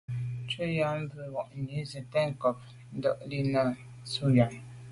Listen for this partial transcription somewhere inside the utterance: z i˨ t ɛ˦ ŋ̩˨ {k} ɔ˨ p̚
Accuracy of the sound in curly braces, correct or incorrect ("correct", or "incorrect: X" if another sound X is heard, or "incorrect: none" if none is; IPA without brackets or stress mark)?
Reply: correct